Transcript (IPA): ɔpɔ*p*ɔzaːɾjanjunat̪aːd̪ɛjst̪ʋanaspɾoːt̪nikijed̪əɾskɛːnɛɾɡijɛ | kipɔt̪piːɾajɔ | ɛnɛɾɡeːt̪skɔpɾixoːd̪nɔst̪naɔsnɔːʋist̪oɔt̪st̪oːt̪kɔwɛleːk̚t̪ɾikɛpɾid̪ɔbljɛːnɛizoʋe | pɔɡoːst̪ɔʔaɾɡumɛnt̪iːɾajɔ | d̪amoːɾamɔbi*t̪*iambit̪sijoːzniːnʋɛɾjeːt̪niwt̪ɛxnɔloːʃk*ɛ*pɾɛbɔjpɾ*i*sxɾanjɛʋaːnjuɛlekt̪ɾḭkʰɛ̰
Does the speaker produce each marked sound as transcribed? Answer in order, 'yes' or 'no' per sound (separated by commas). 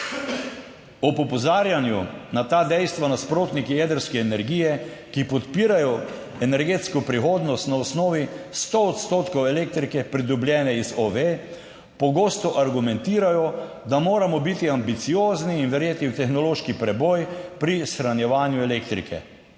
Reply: yes, yes, no, yes